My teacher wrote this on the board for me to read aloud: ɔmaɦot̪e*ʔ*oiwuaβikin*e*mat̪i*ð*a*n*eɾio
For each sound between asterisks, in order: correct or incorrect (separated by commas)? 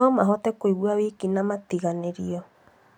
incorrect, incorrect, incorrect, correct